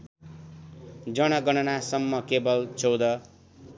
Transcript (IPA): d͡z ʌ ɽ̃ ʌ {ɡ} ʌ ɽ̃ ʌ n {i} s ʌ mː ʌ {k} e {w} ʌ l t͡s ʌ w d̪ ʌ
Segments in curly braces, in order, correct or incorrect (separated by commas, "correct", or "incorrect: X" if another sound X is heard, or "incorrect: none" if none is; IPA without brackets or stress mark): correct, incorrect: a, correct, incorrect: b